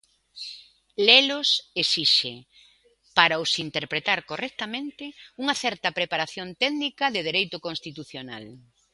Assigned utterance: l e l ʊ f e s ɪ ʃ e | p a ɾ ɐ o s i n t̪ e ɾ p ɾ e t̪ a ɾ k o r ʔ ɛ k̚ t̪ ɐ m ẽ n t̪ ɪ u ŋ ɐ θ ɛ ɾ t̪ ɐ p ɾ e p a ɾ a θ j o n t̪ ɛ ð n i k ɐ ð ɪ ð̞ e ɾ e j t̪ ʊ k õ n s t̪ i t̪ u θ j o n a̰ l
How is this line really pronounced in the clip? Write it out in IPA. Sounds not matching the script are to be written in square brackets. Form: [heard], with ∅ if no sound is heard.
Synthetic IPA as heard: l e l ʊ [s] e s [i] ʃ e | p a ɾ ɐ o s i n t̪ e ɾ p ɾ e t̪ a ɾ k o r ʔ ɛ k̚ t̪ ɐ m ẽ n t̪ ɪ u ŋ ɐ θ ɛ ɾ t̪ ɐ p ɾ e p a ɾ a θ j o n t̪ ɛ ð n i k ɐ ð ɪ ð̞ e ɾ e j t̪ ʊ k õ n s t̪ i t̪ u θ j o n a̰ l